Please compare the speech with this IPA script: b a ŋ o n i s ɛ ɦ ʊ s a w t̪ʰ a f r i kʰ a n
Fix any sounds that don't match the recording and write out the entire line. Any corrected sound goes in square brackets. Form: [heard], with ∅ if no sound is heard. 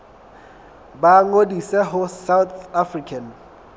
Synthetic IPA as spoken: b a ŋ o [d] i s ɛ ɦ ʊ s a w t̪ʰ a f r i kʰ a n